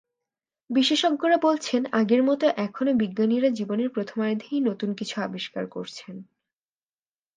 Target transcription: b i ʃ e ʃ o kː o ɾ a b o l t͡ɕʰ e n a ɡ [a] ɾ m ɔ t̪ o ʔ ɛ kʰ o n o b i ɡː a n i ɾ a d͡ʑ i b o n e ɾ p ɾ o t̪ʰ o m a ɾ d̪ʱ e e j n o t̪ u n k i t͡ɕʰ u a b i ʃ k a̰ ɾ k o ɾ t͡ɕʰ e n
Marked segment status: incorrect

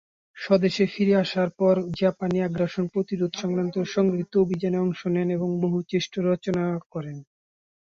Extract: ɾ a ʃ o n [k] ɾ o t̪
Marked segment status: incorrect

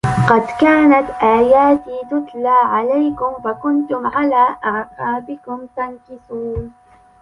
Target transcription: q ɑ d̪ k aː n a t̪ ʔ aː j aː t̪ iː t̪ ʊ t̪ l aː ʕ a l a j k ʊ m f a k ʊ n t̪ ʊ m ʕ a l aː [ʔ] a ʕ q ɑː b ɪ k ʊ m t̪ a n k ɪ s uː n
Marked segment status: correct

